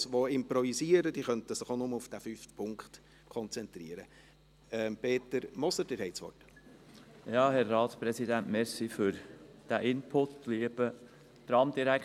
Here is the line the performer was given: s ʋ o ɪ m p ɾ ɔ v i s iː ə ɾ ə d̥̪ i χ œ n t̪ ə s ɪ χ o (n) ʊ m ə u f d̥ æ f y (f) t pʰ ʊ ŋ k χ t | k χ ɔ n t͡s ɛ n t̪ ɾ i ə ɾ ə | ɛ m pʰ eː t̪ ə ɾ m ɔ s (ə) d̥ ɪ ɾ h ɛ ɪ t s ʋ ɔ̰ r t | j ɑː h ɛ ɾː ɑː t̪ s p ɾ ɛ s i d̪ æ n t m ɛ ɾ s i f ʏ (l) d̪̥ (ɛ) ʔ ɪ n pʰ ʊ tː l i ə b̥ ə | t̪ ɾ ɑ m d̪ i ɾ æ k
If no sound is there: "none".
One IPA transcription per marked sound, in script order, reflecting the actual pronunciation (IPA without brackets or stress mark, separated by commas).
n, f, ə, ɾ, æ